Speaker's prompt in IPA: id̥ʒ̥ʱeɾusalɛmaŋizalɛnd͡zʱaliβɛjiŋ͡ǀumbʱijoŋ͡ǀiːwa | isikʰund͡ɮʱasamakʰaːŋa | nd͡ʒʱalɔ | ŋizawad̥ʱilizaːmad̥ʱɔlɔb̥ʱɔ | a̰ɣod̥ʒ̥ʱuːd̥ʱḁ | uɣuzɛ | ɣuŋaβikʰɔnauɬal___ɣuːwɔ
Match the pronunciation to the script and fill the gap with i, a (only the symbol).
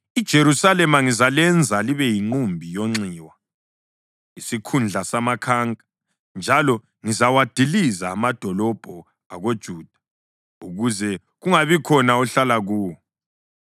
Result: a